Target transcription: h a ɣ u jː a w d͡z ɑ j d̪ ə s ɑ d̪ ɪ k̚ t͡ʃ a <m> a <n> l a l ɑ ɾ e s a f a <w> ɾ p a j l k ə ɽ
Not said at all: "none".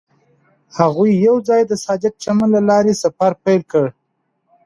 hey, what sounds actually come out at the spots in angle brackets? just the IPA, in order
m, n, none

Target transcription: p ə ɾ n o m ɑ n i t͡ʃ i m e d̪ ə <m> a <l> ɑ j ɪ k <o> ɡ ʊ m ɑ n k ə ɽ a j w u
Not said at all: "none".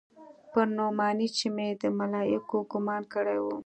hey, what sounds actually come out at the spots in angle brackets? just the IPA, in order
m, l, o

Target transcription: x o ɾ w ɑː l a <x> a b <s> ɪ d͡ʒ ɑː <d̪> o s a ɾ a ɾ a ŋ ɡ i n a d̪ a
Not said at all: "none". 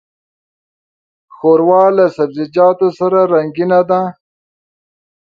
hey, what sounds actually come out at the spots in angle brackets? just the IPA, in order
s, z, t̪

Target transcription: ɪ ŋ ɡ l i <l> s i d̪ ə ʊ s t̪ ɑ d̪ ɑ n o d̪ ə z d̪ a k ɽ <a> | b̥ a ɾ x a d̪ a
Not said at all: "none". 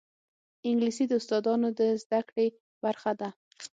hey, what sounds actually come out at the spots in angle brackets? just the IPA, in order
none, e

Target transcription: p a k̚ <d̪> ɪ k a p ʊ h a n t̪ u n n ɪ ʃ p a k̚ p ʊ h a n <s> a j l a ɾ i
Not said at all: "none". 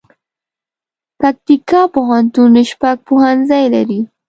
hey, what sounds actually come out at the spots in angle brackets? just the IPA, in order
t̪, z

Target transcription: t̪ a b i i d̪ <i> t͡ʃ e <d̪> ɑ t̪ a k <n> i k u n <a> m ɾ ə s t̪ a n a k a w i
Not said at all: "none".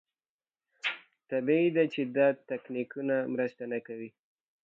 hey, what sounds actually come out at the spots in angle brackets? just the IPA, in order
a, d̪, n, a

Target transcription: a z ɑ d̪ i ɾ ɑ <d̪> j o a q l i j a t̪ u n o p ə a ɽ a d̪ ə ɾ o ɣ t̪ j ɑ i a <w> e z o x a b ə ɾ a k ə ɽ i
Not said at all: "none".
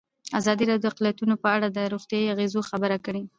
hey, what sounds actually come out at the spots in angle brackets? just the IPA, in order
d̪, ɣ

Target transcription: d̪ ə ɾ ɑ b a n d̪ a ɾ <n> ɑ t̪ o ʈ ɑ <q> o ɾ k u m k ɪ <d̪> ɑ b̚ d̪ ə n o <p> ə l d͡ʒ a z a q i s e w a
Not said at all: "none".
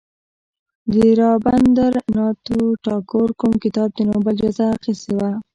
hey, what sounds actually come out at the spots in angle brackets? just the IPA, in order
n, k, t̪, b

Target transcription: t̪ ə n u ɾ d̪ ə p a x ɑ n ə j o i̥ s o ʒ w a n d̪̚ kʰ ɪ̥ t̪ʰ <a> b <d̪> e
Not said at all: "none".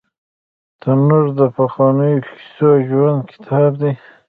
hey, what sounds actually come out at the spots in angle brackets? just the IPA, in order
ɑ, d̪

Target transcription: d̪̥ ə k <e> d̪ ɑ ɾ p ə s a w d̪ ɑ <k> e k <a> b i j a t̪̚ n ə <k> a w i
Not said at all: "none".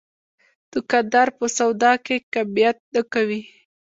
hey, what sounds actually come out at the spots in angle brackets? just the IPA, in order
a, k, a, k

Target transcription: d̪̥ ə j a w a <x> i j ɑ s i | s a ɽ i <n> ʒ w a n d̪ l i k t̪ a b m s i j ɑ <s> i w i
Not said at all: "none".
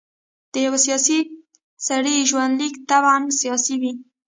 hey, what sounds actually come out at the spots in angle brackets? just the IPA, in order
s, none, s

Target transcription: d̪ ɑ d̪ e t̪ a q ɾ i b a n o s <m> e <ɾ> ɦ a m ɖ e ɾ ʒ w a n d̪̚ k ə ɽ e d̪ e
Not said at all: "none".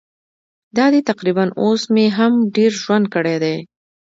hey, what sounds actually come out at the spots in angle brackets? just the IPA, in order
m, none

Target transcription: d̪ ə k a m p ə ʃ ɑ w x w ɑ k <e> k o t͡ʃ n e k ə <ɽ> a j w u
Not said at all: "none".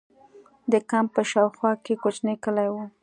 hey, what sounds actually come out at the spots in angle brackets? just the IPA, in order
e, l

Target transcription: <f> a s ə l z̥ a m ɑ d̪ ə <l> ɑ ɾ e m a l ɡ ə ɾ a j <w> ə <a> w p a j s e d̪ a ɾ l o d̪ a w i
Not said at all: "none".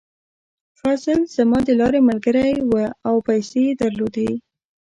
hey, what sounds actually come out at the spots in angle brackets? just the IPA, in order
f, l, w, a

